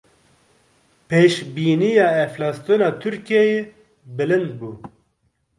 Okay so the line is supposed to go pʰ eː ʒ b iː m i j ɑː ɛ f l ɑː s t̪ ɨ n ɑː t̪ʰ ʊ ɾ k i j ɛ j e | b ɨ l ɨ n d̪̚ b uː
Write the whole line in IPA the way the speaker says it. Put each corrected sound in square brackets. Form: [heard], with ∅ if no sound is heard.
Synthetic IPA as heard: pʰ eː [ʃ] b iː [n] i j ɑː ɛ f l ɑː s t̪ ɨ n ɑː t̪ʰ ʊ ɾ k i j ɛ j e | b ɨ l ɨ n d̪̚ b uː